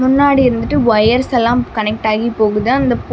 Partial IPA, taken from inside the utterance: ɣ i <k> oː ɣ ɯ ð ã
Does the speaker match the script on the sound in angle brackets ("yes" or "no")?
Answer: no